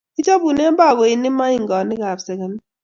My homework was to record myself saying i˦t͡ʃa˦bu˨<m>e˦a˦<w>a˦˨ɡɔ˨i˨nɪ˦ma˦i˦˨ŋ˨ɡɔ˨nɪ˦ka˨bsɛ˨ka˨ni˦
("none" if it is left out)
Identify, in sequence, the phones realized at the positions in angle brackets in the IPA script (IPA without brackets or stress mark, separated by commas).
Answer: n, b